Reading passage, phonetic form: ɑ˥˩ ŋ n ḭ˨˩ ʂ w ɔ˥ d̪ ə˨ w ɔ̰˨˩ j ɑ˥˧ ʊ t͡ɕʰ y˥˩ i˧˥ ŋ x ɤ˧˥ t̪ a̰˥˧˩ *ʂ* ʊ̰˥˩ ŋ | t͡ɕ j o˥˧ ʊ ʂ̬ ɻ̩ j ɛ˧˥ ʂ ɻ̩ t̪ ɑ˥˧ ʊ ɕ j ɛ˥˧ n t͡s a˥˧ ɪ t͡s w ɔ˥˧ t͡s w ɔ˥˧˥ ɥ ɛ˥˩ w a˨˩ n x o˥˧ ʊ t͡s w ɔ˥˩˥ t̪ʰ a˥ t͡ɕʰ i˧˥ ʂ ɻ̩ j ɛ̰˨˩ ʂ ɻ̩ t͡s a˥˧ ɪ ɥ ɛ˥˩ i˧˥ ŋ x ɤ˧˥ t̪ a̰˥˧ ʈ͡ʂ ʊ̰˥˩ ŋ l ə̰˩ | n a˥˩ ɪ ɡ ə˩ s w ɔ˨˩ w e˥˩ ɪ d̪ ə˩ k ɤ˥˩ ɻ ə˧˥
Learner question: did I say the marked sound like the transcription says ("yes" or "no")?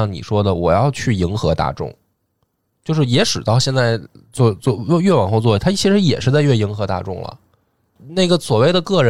no